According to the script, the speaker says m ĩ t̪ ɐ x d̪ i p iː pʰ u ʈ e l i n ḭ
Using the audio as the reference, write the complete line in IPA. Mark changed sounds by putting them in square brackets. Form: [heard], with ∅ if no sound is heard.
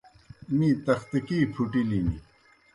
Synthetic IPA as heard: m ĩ t̪ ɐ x [t̪] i [k] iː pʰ u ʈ [i] l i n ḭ